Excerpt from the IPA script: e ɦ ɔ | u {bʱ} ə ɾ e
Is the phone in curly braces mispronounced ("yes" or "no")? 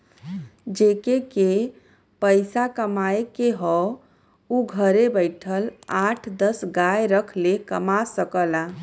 yes